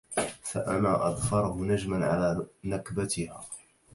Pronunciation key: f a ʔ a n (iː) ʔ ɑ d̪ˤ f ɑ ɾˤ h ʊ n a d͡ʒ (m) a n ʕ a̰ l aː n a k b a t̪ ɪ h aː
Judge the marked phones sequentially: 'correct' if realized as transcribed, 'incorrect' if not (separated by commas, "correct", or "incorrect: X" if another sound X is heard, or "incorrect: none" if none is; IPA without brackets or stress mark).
incorrect: aː, correct